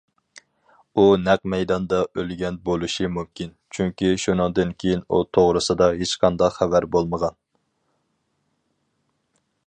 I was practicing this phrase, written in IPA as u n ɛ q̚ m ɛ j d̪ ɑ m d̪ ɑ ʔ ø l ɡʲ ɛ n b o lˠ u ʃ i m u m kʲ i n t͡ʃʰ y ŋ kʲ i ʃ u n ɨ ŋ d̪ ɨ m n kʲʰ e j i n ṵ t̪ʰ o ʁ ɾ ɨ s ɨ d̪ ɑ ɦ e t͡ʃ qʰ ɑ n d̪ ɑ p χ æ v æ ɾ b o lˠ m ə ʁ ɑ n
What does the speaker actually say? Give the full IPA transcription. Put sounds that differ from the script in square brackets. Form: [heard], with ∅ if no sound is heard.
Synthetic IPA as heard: u n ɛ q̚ m ɛ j d̪ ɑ [n] d̪ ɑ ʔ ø l ɡʲ ɛ n b o lˠ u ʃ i m u m kʲ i n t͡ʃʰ y ŋ kʲ i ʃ u n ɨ ŋ d̪ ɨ [∅] n kʲʰ e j i n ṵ t̪ʰ o ʁ ɾ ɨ s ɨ d̪ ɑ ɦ e t͡ʃ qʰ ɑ n d̪ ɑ [q] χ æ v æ ɾ b o lˠ m ə ʁ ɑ n